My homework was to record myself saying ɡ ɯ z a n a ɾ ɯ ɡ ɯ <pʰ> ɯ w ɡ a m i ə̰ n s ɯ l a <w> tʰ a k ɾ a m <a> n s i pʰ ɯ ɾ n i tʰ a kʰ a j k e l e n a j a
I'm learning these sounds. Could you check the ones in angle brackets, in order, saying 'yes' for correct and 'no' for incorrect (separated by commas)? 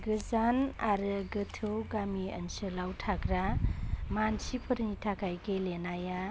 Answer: no, yes, yes